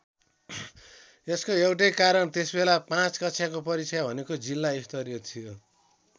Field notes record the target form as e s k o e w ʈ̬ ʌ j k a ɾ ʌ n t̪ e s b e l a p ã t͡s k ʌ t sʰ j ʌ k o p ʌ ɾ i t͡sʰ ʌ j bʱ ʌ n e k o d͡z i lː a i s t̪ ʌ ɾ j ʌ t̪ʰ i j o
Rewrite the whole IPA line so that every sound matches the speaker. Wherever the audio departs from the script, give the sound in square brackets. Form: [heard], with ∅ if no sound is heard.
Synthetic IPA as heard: e s k o e w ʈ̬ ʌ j k a ɾ ʌ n t̪ e s b e l a p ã t͡s k ʌ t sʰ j [a] k o p ʌ ɾ i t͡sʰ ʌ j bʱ ʌ n e k o d͡z i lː a i s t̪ ʌ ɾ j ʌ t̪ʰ i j o